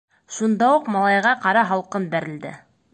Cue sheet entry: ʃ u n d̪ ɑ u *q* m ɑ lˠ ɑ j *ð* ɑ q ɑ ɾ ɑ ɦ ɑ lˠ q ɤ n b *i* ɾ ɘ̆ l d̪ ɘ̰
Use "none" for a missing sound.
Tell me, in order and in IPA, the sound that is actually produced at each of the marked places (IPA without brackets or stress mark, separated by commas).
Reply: q, ʁ, æ